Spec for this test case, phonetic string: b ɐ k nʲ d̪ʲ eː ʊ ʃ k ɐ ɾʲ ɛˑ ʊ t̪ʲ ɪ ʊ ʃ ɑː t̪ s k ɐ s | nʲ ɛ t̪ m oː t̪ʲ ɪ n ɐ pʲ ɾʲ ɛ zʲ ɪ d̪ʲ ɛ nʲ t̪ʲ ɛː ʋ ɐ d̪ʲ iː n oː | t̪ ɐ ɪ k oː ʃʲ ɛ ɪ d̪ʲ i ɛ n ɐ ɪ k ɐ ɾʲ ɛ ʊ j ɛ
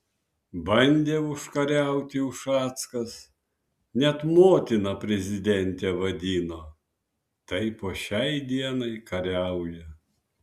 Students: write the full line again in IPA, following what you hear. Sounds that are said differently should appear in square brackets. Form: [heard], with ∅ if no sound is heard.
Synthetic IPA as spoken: b ɐ [∅] nʲ d̪ʲ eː ʊ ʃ k ɐ ɾʲ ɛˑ ʊ t̪ʲ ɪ ʊ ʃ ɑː t̪ s k ɐ s | nʲ ɛ t̪ m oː t̪ʲ ɪ n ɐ pʲ ɾʲ ɛ zʲ ɪ d̪ʲ ɛ nʲ t̪ʲ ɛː ʋ ɐ d̪ʲ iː n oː | t̪ ɐ ɪ [p] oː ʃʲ ɛ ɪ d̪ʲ i ɛ n ɐ ɪ k ɐ ɾʲ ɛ ʊ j ɛ

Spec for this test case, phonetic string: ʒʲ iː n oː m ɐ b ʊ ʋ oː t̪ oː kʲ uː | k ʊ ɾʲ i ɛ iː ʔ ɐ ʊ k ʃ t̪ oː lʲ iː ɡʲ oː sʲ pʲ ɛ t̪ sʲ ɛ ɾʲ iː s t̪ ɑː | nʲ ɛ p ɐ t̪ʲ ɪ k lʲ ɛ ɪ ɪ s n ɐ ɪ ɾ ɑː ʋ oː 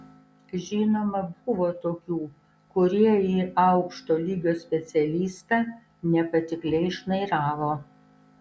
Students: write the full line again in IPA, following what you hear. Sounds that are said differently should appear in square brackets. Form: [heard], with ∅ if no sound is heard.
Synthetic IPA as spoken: ʒʲ iː n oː m ɐ b ʊ ʋ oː t̪ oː kʲ uː | k ʊ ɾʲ i ɛ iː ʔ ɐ ʊ k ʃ t̪ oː lʲ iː ɡʲ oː sʲ pʲ ɛ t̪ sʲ ɛ [lʲ] iː s t̪ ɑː | nʲ ɛ p ɐ t̪ʲ ɪ k lʲ ɛ ɪ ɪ [ʃ] n ɐ ɪ ɾ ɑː ʋ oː

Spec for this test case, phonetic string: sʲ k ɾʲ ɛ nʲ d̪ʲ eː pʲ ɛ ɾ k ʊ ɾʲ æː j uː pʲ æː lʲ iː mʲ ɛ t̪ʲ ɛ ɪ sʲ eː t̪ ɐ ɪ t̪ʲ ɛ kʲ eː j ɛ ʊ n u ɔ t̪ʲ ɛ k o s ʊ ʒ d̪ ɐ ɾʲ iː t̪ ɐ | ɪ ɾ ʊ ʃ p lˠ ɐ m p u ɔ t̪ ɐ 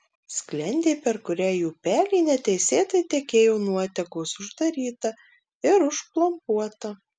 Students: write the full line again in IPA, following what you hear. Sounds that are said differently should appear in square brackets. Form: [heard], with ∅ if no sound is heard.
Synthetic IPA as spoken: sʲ k [lʲ] ɛ nʲ d̪ʲ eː pʲ ɛ ɾ k ʊ ɾʲ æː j uː pʲ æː lʲ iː [nʲ] ɛ t̪ʲ ɛ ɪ sʲ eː t̪ ɐ ɪ t̪ʲ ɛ kʲ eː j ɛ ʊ n u ɔ t̪ʲ ɛ k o s ʊ ʒ d̪ ɐ ɾʲ iː t̪ ɐ | ɪ ɾ ʊ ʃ p lˠ ɐ m p u ɔ t̪ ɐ

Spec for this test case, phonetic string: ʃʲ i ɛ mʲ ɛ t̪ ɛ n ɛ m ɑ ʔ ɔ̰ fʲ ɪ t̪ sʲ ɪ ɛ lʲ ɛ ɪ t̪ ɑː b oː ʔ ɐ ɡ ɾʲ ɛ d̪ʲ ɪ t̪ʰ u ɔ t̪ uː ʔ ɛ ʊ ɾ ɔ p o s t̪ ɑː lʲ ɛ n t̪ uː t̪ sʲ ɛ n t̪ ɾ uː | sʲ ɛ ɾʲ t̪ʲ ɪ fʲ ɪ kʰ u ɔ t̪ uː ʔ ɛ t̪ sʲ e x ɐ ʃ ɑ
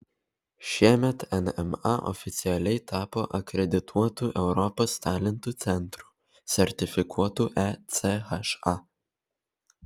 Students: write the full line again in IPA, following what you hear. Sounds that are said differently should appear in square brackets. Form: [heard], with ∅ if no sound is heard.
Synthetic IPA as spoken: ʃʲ i ɛ mʲ ɛ t̪ ɛ n ɛ m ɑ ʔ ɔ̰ fʲ ɪ t̪ sʲ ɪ ɛ lʲ ɛ ɪ t̪ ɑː [p] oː ʔ ɐ [k] ɾʲ ɛ d̪ʲ ɪ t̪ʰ u ɔ t̪ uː ʔ ɛ ʊ ɾ ɔ p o s t̪ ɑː lʲ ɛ n t̪ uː t̪ sʲ ɛ n t̪ ɾ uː | sʲ ɛ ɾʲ t̪ʲ ɪ fʲ ɪ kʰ u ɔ t̪ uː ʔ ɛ t̪ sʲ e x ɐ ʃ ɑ

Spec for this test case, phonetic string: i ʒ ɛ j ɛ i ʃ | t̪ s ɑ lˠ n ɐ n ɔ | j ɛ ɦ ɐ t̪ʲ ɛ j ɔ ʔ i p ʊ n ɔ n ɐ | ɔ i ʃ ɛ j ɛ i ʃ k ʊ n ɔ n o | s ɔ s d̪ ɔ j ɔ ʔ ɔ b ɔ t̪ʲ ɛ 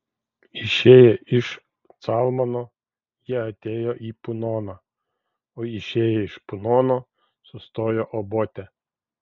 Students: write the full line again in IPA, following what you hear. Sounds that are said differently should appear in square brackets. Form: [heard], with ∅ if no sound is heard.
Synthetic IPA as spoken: i [ʃ] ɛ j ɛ i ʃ | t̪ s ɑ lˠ [m] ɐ n ɔ | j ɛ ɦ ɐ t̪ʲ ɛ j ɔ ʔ i p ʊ n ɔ n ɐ | ɔ i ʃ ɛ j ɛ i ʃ [p] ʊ n ɔ n [ɔ] | s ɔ s [t̪] ɔ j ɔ ʔ ɔ b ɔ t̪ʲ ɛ

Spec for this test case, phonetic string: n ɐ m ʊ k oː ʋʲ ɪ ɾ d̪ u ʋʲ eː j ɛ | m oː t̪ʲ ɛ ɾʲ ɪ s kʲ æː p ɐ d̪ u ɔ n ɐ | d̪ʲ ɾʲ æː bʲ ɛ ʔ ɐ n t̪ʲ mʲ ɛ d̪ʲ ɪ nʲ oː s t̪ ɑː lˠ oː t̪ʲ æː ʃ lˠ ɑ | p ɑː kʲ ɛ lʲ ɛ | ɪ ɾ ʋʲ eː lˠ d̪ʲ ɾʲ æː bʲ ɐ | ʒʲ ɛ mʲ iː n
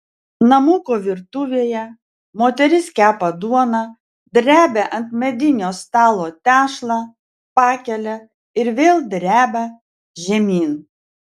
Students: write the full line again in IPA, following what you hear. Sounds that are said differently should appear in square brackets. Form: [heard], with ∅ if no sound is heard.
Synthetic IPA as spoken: n ɐ m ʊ k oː ʋʲ ɪ ɾ [t̪] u ʋʲ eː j ɛ | m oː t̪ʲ ɛ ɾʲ ɪ s kʲ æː p ɐ d̪ u ɔ n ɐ | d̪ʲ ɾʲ æː bʲ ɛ ʔ ɐ n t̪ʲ mʲ ɛ d̪ʲ ɪ nʲ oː s t̪ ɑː lˠ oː t̪ʲ æː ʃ lˠ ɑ | p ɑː kʲ ɛ lʲ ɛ | ɪ ɾ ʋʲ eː lˠ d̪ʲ ɾʲ æː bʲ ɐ | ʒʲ ɛ mʲ iː n

